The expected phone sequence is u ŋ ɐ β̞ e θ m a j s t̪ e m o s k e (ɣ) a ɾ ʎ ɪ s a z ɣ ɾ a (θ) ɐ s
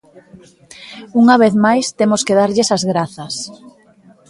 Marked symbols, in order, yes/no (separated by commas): no, yes